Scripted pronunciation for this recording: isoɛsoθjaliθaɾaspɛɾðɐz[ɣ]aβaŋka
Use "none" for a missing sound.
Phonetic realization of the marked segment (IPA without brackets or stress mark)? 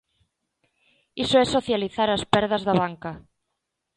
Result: ð